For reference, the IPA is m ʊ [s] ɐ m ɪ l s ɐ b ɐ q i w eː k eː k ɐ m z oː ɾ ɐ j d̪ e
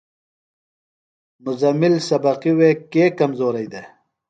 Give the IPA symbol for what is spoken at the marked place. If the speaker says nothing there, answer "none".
z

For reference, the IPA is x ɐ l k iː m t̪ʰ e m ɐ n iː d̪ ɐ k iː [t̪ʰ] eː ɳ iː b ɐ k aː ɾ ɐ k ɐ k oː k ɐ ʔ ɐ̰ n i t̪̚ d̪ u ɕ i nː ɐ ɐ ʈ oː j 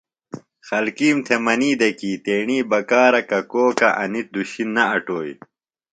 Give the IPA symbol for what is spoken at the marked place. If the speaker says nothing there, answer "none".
t̪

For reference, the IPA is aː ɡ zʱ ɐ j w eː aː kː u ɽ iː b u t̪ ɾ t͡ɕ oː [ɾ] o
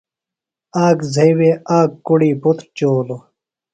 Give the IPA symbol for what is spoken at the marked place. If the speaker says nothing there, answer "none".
l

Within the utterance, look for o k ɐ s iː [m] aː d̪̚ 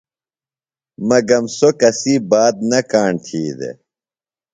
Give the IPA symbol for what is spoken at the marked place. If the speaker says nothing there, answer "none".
b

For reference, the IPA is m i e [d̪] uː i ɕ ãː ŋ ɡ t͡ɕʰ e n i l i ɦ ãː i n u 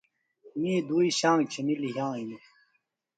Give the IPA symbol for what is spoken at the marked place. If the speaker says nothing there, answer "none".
d̪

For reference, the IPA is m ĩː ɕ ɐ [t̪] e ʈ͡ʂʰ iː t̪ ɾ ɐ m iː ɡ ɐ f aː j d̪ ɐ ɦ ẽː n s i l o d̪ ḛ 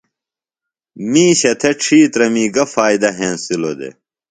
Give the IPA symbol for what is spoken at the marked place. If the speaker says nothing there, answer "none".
t̪ʰ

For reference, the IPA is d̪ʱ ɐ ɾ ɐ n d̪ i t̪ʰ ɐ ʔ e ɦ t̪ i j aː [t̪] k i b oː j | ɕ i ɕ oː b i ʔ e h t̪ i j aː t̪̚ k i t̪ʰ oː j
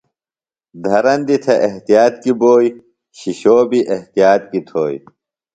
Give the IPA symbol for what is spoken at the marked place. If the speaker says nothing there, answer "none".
t̪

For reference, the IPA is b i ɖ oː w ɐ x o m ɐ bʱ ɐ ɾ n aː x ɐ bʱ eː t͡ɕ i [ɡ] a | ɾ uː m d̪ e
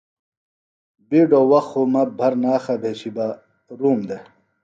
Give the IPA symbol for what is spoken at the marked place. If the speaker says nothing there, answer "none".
b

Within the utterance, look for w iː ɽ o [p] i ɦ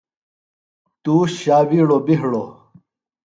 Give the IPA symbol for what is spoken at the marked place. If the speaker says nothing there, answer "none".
b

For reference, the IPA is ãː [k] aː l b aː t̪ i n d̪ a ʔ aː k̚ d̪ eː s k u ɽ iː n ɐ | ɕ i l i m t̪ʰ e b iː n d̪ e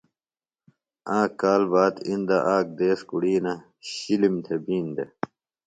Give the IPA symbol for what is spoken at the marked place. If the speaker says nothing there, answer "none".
k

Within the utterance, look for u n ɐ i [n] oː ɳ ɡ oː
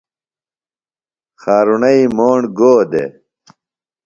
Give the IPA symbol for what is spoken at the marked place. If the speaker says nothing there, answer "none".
m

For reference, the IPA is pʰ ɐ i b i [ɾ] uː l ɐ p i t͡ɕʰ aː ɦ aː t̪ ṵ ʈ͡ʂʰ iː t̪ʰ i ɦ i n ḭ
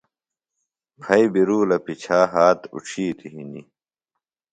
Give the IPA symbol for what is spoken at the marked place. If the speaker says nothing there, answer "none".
ɾ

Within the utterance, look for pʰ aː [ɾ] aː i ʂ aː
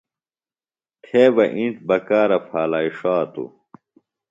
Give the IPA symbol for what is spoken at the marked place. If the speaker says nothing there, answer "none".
l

